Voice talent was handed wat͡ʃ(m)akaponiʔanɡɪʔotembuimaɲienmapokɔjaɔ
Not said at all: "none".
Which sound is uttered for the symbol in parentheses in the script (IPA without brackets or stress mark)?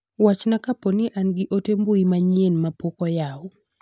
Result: n